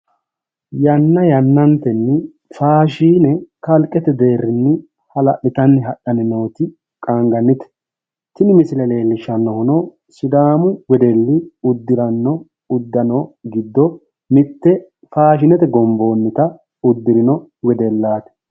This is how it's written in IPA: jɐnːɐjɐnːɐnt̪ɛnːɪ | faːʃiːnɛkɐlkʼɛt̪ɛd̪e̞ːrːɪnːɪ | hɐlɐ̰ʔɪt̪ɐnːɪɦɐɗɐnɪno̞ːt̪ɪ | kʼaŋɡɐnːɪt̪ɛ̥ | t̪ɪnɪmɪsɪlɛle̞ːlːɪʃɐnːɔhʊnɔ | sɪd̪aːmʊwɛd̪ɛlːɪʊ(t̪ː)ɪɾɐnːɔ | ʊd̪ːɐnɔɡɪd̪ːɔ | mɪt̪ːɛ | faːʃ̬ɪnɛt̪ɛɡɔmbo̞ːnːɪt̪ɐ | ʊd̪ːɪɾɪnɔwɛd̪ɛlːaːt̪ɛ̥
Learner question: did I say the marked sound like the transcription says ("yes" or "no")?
no